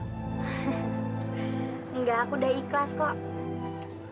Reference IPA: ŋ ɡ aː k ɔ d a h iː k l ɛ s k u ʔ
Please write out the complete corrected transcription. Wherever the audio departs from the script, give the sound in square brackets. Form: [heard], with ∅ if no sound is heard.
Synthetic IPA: ŋ ɡ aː k [u] d a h [i] k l [a] s k [ɔ] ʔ